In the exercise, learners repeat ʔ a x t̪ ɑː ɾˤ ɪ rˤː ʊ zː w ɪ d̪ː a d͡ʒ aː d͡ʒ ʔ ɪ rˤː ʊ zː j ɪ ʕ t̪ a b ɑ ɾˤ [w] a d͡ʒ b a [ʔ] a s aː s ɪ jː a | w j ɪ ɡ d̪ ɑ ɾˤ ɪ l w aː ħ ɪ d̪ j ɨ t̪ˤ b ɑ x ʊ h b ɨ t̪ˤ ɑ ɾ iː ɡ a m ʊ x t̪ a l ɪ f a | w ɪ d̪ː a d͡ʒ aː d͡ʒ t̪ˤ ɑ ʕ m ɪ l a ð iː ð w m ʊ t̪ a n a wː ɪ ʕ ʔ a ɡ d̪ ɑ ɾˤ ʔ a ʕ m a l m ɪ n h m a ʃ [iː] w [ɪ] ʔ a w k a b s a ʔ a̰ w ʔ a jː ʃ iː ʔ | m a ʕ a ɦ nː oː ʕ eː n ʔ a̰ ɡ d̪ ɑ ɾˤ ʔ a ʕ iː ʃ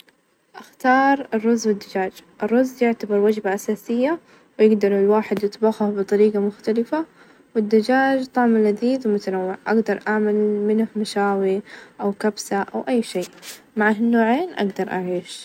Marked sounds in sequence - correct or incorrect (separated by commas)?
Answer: correct, correct, incorrect, incorrect